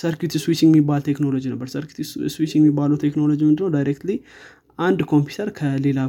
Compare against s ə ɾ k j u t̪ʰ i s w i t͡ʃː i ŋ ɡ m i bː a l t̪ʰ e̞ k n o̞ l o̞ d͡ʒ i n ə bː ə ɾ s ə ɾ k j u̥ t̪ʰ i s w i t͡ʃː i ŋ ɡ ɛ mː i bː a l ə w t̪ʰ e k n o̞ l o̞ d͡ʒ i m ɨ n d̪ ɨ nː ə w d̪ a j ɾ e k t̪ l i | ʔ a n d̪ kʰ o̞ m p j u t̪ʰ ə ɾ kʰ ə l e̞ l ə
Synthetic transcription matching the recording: s ə ɾ k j u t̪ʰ i s w i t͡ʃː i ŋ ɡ m i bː a l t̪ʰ e̞ k n o̞ l o̞ d͡ʒ i n ə bː ə ɾ s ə ɾ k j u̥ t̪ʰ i s w i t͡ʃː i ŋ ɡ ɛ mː i bː a l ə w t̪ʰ e k n o̞ l o̞ d͡ʒ i m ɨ n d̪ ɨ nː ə w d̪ a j ɾ e k t̪ l i | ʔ a n d̪ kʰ o̞ m p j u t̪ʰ ə ɾ kʰ ə l e̞ l a